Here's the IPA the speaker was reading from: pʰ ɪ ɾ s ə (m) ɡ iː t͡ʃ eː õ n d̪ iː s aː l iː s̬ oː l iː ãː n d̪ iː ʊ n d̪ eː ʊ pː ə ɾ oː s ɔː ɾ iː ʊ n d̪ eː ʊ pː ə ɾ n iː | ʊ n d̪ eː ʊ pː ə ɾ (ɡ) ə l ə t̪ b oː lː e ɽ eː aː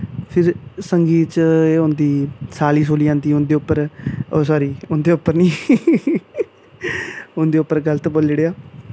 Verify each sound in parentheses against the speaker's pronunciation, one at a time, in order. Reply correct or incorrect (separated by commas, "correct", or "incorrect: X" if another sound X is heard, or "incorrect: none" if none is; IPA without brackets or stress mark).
incorrect: ŋ, correct